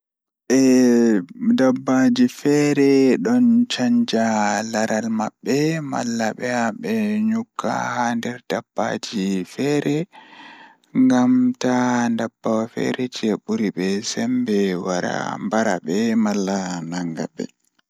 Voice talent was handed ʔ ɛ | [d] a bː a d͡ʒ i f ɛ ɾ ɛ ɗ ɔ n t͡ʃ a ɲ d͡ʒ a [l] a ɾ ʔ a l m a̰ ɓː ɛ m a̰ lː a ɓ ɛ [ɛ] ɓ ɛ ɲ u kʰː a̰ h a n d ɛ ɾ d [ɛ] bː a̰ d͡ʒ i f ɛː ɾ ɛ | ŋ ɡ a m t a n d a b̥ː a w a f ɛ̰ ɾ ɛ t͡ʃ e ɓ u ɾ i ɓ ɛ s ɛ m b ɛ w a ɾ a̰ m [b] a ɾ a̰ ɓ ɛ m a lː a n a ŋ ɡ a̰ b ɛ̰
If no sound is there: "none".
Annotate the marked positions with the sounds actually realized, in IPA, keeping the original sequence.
d, l, a, a, b

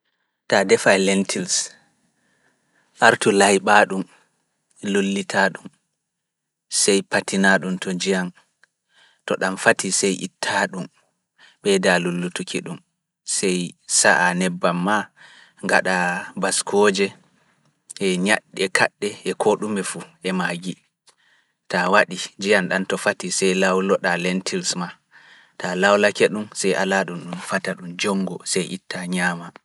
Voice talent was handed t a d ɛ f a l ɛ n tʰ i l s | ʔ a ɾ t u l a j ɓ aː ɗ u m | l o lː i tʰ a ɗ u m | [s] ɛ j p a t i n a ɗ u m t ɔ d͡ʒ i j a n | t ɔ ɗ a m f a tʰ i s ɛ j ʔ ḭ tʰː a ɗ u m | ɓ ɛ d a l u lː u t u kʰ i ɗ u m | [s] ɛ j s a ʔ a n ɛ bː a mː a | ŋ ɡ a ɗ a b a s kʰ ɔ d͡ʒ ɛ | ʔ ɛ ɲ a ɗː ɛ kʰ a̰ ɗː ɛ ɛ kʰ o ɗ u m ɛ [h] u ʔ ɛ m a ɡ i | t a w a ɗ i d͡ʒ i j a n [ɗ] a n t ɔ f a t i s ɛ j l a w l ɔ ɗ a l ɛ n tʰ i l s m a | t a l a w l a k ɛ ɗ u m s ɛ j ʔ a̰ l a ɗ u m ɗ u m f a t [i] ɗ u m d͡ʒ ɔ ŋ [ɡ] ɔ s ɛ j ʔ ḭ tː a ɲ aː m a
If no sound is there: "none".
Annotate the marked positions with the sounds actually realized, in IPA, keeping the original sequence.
s, s, f, ɗ, a, ɡ

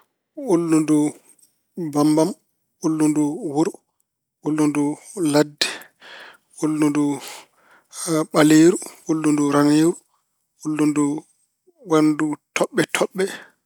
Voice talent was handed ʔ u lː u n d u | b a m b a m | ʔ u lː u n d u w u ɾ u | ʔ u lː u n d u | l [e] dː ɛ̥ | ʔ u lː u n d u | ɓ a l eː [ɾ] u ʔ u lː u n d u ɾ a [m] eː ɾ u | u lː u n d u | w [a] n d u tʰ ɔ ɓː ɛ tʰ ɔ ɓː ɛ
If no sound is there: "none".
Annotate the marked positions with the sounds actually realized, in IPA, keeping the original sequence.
a, ɾ, n, a

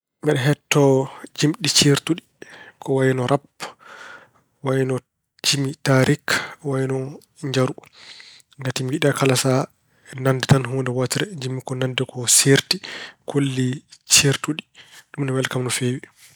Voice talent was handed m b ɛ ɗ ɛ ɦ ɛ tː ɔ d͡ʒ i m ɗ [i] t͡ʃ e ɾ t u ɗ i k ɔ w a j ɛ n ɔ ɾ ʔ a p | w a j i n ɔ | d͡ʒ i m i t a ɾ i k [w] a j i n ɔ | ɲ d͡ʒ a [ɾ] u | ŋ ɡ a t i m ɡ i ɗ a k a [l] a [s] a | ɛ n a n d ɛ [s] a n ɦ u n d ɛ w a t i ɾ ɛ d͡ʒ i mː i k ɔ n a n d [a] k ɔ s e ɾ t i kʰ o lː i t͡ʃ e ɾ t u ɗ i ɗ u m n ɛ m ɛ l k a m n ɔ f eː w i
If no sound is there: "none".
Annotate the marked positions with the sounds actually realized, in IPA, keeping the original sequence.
i, w, ɾ, l, s, t, ɛ

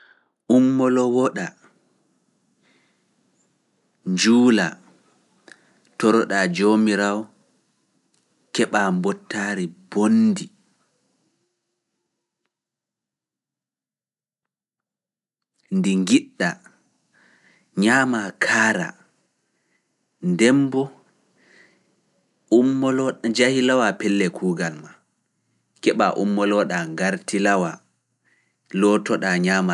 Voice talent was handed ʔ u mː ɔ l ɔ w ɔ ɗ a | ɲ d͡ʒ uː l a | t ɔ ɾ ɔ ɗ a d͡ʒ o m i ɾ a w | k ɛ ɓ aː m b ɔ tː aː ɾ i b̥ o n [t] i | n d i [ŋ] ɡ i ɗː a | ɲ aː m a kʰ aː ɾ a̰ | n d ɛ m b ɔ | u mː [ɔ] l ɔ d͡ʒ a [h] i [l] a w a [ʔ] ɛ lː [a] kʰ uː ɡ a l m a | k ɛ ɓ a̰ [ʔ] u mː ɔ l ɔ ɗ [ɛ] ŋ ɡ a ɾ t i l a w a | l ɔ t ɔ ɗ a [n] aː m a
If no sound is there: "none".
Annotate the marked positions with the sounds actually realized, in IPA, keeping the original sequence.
d, ŋ, ɔ, h, l, p, ɛ, ʔ, a, ɲ

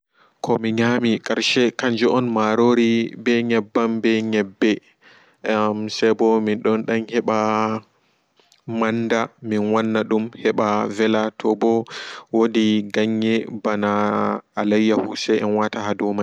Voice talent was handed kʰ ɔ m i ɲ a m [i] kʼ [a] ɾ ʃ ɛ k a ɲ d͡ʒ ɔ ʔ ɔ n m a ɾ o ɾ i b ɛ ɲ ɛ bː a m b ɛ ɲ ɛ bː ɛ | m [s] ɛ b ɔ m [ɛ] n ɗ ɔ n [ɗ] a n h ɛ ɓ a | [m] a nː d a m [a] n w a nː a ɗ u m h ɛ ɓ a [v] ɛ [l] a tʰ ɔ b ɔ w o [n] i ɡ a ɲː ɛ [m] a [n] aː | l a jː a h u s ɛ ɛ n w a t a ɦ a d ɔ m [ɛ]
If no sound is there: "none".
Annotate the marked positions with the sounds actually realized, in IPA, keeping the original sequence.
i, a, s, i, ɗ, m, i, v, l, d, b, n, a

